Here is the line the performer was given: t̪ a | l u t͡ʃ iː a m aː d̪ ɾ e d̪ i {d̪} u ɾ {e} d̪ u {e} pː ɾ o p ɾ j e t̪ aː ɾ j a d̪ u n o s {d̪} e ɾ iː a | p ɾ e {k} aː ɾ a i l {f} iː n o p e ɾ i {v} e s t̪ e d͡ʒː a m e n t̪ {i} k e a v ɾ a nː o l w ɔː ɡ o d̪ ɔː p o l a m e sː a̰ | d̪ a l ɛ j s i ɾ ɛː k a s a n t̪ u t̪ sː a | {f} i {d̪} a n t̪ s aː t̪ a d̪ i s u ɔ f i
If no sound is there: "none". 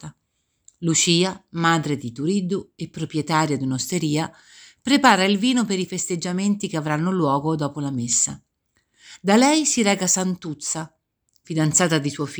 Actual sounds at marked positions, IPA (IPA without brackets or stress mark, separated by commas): t̪, i, e, t̪, p, v, f, i, f, d̪